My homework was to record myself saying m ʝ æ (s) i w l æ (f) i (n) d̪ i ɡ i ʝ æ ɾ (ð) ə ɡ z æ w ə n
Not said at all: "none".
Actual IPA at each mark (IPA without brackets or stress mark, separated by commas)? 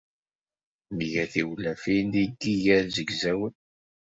θ, f, n, z